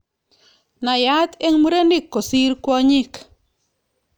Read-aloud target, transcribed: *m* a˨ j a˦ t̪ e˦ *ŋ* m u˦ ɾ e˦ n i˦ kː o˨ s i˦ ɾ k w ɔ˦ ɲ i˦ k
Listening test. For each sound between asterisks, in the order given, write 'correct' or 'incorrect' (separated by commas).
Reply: incorrect, correct